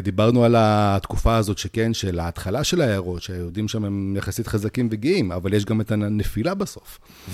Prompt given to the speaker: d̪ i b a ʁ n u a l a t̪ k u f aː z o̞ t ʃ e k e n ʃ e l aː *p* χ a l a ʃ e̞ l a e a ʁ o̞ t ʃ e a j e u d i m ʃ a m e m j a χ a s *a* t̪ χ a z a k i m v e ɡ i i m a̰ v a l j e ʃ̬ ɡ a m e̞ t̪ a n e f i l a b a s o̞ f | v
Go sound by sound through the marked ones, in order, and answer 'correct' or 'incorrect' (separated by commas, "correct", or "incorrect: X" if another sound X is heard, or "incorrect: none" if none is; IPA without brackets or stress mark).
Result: incorrect: t, incorrect: i